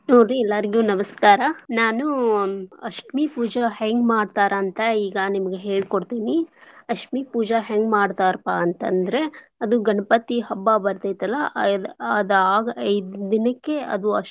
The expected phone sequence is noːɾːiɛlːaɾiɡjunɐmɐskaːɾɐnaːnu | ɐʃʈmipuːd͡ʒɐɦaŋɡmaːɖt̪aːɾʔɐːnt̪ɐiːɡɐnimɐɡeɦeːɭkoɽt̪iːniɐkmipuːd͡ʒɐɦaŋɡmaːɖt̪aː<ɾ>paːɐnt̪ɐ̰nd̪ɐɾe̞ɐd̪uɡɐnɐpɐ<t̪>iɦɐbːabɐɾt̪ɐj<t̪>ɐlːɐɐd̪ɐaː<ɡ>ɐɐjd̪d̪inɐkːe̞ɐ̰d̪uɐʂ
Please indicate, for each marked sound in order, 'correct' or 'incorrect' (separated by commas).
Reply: correct, correct, correct, correct